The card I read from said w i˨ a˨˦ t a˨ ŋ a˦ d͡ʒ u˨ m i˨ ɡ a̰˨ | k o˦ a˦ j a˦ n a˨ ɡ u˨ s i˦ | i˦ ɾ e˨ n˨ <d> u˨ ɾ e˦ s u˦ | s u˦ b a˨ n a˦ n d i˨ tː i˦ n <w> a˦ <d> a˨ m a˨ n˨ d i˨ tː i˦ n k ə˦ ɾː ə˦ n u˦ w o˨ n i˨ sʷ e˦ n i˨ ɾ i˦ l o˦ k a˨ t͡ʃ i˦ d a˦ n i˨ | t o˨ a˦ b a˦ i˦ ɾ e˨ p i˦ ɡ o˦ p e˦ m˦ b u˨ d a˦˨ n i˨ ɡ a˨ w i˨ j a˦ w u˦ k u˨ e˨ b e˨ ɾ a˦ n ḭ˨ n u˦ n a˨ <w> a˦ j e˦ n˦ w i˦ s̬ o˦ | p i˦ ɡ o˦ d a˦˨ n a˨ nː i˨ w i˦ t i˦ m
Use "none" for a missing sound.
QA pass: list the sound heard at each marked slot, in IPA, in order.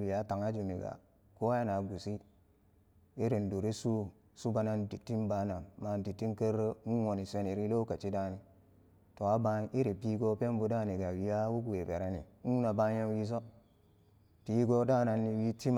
d, b, n, b

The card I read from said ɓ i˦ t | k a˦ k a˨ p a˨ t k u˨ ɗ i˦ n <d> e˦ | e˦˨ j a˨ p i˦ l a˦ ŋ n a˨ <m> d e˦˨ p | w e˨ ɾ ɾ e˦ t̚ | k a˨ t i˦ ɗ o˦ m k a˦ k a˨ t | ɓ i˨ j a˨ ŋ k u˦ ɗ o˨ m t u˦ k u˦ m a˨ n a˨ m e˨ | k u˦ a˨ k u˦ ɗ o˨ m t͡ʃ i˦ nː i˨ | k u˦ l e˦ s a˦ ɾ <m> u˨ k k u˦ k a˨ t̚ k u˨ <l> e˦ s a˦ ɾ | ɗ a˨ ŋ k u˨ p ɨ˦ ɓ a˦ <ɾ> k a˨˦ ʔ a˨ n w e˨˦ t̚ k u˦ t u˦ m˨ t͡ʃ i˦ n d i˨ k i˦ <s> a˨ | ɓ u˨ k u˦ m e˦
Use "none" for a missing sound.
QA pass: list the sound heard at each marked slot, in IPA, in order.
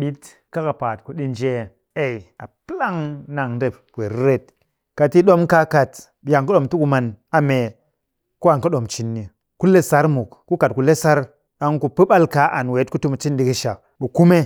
d͡ʒ, ŋ, m, l, l, ʃ

